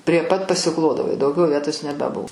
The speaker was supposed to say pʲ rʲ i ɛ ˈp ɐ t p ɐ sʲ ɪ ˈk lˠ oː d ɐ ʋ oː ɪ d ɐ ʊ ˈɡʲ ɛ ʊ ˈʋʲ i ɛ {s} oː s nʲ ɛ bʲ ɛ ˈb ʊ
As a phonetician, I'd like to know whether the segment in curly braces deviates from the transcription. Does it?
yes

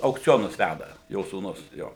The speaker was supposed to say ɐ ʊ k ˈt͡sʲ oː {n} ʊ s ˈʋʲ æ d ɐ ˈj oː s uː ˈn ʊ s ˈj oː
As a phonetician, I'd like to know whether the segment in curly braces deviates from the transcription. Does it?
no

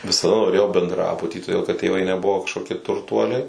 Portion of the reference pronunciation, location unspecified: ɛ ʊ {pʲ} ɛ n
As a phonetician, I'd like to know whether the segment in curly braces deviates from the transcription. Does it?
yes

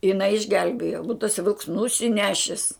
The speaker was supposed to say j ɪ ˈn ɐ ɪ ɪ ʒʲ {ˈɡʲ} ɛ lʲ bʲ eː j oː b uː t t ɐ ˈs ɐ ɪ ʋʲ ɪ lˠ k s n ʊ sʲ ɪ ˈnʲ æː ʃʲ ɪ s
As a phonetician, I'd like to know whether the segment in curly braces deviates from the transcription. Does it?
no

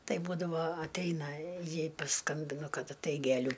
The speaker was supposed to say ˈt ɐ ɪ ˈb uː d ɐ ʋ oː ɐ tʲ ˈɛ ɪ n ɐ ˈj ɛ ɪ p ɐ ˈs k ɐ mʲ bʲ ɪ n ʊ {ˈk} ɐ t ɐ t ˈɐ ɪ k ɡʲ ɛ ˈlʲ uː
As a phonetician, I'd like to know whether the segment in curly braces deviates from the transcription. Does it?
no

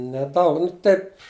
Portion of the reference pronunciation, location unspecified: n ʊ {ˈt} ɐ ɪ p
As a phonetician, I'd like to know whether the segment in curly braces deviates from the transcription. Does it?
no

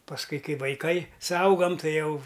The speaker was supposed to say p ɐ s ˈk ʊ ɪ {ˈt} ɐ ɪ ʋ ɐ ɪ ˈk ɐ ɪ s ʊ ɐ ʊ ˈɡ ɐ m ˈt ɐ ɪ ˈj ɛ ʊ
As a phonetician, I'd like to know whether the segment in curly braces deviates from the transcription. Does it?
yes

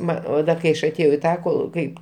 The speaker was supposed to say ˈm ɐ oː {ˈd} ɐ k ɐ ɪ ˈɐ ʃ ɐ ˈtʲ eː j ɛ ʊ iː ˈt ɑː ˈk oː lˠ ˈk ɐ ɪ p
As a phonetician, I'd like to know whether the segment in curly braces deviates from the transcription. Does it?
no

